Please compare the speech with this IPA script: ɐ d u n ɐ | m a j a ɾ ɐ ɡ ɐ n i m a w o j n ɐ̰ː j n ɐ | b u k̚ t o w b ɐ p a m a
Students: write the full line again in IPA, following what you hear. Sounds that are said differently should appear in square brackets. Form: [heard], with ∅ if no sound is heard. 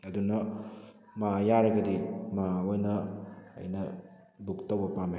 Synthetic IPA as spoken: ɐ d u n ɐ | m a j a ɾ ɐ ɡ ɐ [d] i m a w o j n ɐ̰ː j n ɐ | b u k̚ t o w b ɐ p a m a